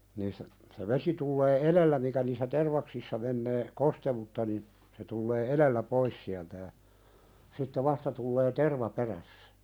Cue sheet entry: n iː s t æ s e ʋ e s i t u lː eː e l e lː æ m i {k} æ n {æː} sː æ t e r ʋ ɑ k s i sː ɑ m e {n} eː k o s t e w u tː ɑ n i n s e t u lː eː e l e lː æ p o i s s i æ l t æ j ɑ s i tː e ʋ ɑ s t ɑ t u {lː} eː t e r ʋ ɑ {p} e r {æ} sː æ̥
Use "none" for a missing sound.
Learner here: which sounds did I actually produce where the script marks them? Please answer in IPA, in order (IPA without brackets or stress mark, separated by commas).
k, iː, nː, lː, p, æ